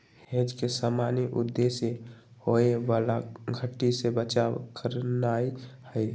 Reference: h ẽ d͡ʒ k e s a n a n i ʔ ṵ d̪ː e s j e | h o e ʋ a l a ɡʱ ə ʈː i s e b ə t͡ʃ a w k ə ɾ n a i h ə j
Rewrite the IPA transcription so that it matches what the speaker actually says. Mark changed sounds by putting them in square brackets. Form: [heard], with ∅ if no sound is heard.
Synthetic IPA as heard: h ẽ d͡ʒ k e s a [m] a n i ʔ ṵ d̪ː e s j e | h o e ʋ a l a ɡʱ ə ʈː i s e b ə t͡ʃ a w k ə ɾ n a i h ə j

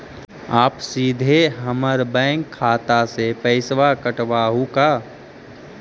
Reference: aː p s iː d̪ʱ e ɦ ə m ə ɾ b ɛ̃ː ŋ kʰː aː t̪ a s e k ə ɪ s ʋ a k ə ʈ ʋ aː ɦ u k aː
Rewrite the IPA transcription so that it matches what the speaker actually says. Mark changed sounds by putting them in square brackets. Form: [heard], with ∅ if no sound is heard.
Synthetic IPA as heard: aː p s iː d̪ʱ e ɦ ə m ə ɾ b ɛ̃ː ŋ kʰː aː t̪ a s e [p] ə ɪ s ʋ a k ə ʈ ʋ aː ɦ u k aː

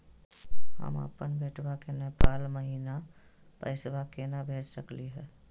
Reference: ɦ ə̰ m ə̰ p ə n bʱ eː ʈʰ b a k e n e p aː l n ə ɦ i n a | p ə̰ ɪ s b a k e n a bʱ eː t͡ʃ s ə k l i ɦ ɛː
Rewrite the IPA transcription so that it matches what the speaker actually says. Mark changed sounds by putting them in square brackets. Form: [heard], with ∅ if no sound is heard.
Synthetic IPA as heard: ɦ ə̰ m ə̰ p ə n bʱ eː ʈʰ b a k e n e p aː l [m] ə ɦ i n a | p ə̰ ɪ s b a k e n a bʱ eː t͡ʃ s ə k l i ɦ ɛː

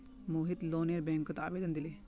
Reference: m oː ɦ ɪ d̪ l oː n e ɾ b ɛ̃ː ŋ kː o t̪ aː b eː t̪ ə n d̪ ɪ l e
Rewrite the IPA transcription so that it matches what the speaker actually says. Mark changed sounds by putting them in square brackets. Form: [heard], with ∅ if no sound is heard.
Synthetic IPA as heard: m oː ɦ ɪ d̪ l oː n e ɾ b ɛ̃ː ŋ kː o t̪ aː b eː [d̪] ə n d̪ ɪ l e

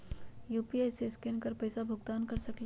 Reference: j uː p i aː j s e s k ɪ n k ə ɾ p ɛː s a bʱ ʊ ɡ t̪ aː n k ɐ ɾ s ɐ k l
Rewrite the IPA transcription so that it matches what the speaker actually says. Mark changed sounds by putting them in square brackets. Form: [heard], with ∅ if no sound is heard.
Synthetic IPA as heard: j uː p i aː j s e s k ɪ n k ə ɾ p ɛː s a bʱ ʊ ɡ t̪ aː n k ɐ ɾ s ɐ k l

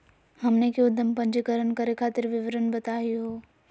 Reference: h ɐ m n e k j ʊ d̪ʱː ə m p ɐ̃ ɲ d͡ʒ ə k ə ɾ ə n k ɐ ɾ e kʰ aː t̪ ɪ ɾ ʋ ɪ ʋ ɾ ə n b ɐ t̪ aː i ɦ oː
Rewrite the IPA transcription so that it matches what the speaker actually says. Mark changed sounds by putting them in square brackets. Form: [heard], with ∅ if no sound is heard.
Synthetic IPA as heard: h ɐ m n e k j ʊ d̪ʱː ə m p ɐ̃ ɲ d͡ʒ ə k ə ɾ ə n k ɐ ɾ e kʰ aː t̪ ɪ ɾ ʋ ɪ ʋ ɾ ə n b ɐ t̪ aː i ɦ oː

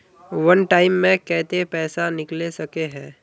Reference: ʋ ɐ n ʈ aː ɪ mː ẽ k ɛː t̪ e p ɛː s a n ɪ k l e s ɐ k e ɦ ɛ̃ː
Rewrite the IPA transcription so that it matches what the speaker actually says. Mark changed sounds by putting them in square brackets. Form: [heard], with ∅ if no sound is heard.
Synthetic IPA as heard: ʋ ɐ n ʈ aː ɪ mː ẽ k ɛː t̪ e p ɛː s a n ɪ k l e s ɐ k e ɦ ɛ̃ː

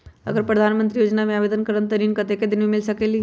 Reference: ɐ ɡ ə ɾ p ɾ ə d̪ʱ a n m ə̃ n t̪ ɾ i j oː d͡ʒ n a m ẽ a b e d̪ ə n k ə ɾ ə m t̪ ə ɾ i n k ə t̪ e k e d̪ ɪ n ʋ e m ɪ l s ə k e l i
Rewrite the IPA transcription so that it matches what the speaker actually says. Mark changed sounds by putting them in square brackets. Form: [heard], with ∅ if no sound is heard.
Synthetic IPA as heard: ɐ ɡ ə ɾ p ɾ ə d̪ʱ a n m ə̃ n t̪ ɾ i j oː d͡ʒ n a m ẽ a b e d̪ ə n k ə ɾ ə [n] t̪ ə ɾ i n k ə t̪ e k e d̪ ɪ n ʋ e m ɪ l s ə k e l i

